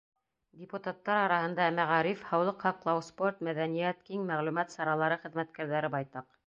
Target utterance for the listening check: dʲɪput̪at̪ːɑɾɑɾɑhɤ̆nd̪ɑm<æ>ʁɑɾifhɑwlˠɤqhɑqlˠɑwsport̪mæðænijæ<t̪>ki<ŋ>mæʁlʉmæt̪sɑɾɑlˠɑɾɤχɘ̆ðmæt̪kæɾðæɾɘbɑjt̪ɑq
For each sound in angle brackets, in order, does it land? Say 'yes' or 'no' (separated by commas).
yes, yes, yes